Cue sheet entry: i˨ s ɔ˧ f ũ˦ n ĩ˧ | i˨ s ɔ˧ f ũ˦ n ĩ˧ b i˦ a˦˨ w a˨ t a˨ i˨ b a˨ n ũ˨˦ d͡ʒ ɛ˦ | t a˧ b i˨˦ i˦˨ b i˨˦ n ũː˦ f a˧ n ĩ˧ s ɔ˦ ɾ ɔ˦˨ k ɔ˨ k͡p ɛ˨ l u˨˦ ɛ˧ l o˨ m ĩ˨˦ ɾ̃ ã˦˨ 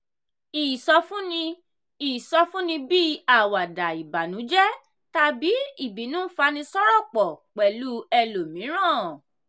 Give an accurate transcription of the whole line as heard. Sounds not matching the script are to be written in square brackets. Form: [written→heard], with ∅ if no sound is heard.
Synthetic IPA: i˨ s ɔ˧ f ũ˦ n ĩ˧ | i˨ s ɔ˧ f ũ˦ n ĩ˧ b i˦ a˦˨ w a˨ [t→d] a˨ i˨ b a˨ n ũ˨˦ d͡ʒ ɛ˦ | t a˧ b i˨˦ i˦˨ b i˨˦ n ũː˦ f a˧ n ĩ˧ s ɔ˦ ɾ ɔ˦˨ [k→k͡p] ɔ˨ k͡p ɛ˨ l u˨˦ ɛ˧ l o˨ m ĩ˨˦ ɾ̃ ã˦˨